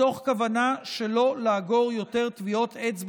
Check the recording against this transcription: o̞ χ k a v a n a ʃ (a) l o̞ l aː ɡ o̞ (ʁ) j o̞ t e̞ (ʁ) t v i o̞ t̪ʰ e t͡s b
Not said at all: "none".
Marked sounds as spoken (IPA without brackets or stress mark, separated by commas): e, ʁ, ʁ